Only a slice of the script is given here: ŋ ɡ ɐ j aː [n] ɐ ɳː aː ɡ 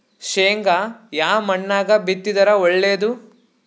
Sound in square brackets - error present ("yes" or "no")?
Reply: yes